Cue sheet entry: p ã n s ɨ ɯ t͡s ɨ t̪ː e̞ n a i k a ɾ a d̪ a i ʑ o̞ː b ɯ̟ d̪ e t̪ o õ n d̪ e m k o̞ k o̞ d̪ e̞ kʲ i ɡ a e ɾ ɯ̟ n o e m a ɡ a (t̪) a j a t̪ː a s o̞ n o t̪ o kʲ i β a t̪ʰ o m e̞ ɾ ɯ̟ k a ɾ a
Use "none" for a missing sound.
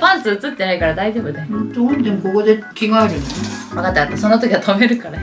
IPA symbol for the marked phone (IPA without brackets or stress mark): t̪